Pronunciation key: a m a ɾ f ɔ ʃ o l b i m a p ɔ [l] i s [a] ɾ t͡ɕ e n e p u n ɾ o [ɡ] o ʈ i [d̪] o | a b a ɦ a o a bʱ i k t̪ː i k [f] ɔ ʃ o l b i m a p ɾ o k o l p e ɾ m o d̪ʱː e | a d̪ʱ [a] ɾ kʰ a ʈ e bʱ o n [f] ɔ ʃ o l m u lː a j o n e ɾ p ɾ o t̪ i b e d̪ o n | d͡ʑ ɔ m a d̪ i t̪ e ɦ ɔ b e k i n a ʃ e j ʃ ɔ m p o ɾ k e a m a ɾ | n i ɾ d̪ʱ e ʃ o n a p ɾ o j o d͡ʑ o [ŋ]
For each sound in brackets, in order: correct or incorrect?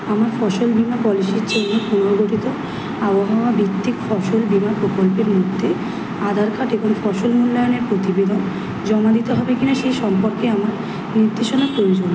correct, incorrect, correct, incorrect, correct, correct, correct, incorrect

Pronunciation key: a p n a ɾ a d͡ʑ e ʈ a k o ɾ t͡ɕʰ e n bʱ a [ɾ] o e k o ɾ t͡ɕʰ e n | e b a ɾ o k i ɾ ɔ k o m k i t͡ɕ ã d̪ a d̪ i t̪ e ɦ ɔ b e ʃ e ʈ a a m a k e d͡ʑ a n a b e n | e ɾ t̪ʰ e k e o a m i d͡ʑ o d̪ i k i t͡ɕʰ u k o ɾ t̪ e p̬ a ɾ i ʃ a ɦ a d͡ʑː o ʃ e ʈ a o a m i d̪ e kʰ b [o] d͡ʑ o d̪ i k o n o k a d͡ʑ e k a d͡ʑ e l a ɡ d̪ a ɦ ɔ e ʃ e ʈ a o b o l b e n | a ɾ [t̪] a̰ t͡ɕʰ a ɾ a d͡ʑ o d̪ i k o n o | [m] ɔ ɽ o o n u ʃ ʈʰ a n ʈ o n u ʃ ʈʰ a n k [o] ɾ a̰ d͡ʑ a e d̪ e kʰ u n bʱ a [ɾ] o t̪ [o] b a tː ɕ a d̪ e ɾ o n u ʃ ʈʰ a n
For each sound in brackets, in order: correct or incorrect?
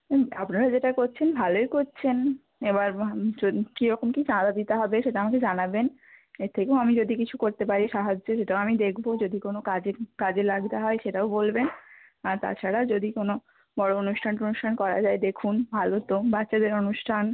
incorrect, correct, correct, incorrect, incorrect, incorrect, correct

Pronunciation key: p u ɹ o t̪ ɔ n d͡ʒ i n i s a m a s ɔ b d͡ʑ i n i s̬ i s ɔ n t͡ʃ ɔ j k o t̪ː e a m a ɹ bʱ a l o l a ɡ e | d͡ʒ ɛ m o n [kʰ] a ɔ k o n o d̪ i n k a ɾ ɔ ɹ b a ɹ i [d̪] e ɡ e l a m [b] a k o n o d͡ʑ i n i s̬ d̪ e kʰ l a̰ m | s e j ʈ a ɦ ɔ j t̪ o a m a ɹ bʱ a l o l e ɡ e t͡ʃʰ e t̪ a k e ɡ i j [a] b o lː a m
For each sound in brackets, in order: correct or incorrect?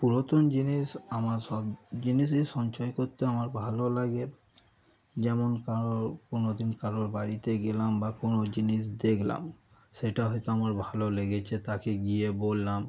incorrect, incorrect, correct, incorrect

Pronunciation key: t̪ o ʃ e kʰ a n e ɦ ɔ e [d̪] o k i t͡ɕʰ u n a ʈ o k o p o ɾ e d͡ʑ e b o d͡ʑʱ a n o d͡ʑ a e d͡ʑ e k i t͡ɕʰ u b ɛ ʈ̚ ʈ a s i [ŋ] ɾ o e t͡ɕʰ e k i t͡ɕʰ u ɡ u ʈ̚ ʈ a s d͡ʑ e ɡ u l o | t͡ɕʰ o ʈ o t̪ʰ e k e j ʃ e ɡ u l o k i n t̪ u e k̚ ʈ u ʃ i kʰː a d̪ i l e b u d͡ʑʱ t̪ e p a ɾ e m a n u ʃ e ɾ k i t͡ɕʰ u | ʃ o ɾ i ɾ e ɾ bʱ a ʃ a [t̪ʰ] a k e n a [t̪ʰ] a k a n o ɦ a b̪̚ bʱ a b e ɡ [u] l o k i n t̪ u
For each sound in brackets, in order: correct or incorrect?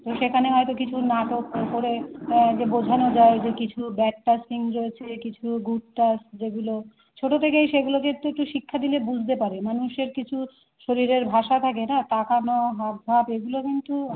incorrect, correct, correct, incorrect, correct

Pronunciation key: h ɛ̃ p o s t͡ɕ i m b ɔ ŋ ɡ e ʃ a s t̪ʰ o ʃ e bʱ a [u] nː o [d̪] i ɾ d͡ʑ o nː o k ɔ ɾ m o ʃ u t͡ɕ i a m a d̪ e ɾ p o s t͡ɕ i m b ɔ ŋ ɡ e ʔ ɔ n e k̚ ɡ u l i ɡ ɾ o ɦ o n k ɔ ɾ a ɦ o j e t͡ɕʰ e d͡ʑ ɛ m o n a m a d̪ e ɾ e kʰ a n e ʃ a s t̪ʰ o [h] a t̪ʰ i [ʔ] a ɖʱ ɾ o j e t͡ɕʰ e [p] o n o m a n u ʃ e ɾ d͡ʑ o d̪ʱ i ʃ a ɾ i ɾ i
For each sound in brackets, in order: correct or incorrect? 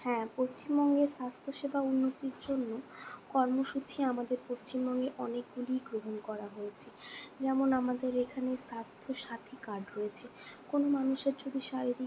correct, incorrect, incorrect, incorrect, incorrect

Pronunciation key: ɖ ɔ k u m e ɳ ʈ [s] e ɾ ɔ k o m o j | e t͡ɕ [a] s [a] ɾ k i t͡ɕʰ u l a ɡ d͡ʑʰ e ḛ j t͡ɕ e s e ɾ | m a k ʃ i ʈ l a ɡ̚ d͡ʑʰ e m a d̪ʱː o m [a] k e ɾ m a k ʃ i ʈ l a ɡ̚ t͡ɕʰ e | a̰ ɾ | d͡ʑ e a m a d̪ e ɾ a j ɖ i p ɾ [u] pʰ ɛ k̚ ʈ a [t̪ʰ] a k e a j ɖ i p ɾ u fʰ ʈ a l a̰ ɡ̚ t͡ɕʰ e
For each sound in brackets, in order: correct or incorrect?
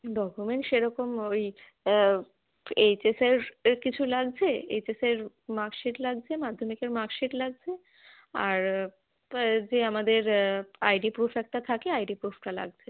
incorrect, incorrect, incorrect, incorrect, correct, correct

